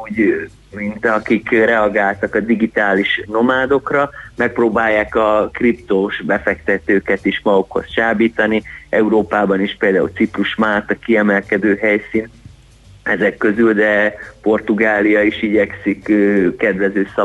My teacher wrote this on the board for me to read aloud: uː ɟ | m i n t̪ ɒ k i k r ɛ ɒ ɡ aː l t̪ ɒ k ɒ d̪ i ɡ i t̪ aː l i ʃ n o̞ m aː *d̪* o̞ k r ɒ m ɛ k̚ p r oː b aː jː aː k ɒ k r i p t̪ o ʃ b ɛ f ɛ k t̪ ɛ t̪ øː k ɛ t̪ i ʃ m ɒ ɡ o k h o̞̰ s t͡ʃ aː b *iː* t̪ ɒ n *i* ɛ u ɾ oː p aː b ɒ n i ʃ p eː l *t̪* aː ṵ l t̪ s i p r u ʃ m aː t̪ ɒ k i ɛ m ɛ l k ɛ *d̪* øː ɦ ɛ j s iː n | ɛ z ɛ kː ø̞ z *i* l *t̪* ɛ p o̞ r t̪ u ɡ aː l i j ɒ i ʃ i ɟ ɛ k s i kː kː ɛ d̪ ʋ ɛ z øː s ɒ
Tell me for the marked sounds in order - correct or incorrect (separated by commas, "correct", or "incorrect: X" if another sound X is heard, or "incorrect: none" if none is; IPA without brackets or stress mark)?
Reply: correct, correct, correct, incorrect: d̪, correct, incorrect: y, incorrect: d̪